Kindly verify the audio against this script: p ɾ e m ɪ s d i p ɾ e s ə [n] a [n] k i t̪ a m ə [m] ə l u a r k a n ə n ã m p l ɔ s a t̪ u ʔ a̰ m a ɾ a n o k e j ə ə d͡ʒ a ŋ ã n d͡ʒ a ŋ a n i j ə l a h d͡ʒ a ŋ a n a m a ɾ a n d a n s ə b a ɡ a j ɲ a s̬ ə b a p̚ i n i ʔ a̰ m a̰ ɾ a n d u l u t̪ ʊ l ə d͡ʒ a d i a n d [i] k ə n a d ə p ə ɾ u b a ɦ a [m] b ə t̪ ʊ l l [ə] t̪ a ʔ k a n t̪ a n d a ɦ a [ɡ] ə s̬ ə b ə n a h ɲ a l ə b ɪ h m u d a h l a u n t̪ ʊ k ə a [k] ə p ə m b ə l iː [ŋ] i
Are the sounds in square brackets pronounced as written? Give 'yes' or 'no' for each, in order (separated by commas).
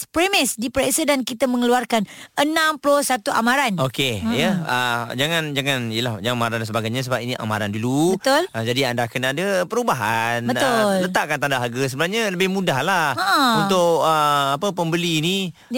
no, yes, no, no, no, yes, yes, no, no